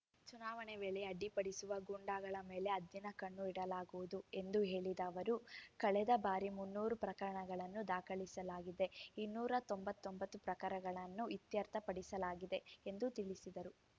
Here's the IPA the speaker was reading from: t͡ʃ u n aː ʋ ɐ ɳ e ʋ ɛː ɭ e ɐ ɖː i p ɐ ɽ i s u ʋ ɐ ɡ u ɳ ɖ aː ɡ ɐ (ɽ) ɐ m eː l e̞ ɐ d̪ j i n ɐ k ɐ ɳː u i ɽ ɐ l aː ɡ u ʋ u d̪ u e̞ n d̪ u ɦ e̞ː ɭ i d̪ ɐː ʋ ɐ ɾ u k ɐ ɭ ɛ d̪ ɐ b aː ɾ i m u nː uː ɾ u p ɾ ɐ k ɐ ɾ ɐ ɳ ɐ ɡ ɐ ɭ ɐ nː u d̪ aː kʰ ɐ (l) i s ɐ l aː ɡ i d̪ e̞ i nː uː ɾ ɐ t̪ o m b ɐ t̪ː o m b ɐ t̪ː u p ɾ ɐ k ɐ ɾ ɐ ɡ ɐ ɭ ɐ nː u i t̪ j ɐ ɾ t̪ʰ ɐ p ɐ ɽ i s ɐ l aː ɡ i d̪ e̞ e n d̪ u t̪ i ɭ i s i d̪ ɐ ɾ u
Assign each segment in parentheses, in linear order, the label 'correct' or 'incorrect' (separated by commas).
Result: incorrect, incorrect